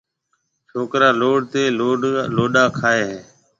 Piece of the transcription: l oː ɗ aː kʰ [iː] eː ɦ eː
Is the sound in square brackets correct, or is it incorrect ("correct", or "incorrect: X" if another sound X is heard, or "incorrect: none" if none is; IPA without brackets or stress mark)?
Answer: incorrect: aː